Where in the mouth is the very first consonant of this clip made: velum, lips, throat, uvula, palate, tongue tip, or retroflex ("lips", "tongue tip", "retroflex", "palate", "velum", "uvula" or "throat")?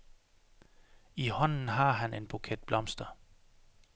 throat